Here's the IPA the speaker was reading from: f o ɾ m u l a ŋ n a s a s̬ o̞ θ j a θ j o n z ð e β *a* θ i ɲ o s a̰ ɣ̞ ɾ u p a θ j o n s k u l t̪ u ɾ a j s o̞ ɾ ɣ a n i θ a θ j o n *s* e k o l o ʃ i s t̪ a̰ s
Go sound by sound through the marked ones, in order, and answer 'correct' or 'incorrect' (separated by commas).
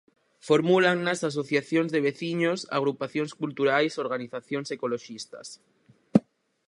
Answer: incorrect, correct